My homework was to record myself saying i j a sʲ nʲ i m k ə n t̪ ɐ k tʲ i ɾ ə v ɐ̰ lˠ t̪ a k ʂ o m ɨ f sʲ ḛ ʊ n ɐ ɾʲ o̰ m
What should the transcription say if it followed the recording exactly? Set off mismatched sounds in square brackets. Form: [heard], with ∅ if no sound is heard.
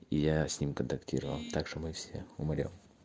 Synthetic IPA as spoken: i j a sʲ nʲ i m k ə n t̪ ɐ k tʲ i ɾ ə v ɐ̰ lˠ t̪ a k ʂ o m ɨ f sʲ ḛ ʊ [m] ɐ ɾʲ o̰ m